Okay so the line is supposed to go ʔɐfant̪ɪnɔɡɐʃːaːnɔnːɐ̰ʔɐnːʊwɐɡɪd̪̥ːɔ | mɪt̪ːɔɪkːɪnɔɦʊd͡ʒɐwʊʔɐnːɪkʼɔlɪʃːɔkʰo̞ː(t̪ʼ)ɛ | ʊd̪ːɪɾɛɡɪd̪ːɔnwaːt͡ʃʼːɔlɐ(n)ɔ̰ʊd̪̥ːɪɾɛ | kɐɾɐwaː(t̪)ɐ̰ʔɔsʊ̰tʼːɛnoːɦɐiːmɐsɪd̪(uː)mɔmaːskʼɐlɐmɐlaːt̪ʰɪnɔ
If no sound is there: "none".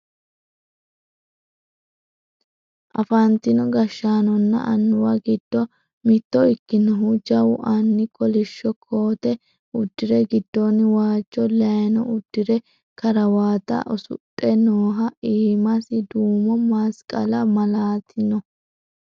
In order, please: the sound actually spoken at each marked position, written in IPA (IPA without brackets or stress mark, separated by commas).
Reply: t̪, n, t̪, uː